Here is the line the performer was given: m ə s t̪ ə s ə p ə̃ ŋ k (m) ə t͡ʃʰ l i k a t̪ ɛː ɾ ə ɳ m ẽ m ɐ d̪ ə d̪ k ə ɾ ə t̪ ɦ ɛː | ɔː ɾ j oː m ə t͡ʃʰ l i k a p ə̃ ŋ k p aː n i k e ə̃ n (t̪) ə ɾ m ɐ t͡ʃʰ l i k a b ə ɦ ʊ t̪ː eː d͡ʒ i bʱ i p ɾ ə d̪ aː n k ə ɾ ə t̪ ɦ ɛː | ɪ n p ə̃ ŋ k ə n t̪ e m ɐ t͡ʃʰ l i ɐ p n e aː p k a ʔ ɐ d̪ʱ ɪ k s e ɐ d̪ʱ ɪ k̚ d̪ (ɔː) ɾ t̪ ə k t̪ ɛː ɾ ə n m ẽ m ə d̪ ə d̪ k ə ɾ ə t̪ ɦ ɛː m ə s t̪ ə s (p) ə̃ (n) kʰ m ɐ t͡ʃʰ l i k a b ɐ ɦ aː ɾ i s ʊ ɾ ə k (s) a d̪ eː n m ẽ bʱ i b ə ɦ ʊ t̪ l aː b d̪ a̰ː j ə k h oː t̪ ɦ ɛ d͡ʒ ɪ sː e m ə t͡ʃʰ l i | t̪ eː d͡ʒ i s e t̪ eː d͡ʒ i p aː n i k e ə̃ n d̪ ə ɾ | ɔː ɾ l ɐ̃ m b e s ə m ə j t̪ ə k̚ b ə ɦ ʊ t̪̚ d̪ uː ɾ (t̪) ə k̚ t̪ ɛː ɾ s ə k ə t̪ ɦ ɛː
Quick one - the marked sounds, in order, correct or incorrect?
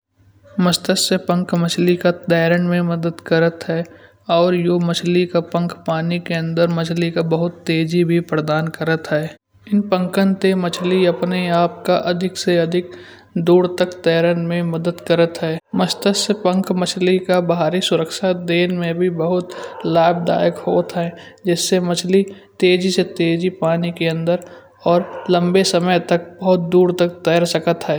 correct, incorrect: d̪, incorrect: uː, correct, incorrect: ŋ, incorrect: ʃ, correct

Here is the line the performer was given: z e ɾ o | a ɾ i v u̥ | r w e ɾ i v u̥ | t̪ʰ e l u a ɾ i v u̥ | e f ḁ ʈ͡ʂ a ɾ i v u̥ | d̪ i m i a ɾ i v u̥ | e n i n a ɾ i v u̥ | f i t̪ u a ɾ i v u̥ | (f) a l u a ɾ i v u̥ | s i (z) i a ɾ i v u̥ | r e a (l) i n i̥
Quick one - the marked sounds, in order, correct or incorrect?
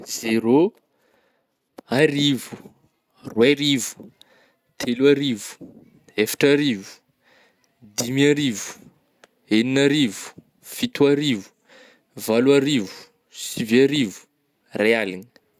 incorrect: v, incorrect: v, correct

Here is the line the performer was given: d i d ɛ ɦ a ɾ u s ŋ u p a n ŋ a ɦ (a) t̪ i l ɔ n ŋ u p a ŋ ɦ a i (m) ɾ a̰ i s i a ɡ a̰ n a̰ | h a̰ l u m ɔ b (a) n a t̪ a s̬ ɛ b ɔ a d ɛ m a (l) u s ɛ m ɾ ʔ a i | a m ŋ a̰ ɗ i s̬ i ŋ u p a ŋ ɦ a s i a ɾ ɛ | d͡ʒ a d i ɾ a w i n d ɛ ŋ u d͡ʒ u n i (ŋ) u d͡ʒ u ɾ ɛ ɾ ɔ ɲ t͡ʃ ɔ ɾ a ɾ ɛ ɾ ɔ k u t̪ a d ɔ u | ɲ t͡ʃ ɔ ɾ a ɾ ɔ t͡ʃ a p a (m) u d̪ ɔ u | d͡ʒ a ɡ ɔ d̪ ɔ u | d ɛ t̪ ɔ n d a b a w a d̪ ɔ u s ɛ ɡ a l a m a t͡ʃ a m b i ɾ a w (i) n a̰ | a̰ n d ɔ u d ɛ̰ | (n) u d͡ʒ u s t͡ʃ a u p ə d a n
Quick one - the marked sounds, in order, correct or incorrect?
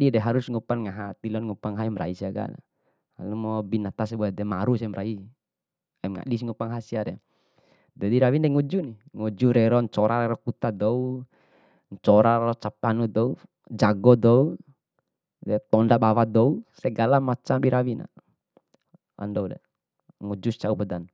correct, correct, incorrect: i, incorrect: ɾ, correct, incorrect: n, correct, incorrect: ŋ

